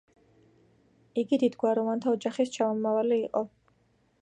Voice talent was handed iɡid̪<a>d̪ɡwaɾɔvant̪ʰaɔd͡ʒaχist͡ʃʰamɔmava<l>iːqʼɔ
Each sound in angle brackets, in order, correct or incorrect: incorrect, correct

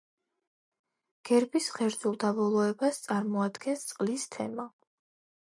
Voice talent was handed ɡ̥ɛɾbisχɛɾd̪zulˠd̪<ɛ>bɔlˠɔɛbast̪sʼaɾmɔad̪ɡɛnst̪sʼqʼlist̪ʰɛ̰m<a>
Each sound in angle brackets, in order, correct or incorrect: incorrect, correct

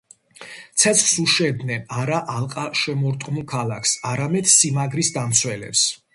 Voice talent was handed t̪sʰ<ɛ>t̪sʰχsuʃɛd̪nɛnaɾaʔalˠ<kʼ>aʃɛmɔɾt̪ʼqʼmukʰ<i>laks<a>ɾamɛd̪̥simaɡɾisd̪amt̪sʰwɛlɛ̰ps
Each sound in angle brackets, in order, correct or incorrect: correct, incorrect, incorrect, correct

